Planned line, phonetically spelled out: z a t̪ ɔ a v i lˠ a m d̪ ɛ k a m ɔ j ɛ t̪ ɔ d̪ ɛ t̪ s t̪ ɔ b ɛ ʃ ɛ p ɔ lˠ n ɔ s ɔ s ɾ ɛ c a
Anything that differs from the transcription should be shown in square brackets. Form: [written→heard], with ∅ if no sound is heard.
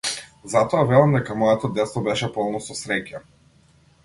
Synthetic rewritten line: z a t̪ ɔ a v [i→ɛ] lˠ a m d̪ ɛ k a m ɔ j ɛ t̪ ɔ d̪ ɛ t̪ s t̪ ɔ b ɛ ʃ ɛ p ɔ lˠ n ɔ s ɔ s ɾ ɛ c a